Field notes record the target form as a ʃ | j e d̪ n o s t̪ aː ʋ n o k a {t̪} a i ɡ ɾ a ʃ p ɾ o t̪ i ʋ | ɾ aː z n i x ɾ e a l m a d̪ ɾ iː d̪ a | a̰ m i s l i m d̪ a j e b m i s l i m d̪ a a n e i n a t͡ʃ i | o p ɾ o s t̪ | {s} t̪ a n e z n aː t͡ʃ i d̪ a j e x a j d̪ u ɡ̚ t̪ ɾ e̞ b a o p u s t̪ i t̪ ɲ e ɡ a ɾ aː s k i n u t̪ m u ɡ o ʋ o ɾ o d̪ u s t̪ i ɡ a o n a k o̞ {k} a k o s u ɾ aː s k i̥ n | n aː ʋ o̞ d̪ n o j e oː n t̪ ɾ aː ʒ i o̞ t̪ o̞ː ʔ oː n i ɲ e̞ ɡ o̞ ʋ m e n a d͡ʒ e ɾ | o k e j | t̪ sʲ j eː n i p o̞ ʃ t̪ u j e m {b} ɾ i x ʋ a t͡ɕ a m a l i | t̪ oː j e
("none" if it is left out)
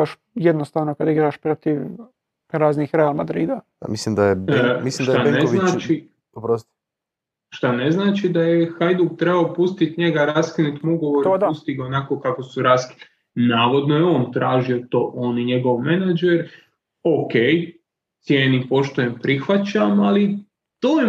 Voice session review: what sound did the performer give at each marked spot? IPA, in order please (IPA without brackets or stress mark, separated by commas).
d̪, ʃ, k, p